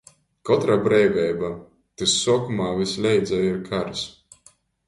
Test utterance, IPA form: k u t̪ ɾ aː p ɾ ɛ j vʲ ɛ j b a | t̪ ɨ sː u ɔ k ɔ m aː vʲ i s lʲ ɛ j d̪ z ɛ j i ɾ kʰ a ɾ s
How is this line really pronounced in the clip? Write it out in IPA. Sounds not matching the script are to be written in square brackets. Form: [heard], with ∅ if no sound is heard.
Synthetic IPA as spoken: k [ɔ] t̪ ɾ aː [b] ɾ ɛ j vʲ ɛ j b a | t̪ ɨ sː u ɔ k [u] m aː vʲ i s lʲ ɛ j d̪ z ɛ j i ɾ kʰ a ɾ s